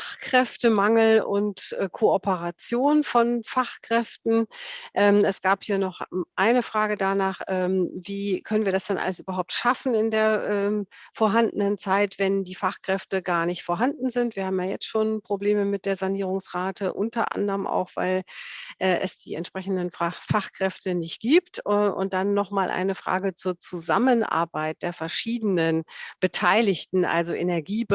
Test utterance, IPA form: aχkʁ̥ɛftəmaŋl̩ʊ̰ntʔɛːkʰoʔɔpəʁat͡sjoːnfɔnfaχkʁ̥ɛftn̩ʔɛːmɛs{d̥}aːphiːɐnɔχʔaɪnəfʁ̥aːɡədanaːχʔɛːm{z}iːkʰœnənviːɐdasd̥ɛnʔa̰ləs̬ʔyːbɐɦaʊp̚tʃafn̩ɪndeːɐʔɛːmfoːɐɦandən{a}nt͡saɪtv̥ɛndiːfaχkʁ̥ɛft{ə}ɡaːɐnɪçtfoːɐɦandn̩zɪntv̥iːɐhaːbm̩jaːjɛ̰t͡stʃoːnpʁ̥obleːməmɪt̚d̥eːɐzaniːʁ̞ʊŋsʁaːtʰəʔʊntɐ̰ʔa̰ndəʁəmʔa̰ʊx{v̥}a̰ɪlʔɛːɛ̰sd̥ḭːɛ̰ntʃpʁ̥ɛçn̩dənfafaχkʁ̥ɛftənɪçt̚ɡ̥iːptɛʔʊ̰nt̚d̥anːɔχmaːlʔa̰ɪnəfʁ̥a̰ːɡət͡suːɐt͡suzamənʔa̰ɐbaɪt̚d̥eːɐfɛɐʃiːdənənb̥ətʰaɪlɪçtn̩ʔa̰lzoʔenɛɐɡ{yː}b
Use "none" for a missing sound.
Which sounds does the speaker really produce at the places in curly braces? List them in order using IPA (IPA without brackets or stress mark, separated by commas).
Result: ɡ̥, v, ə, ə, v̥, iː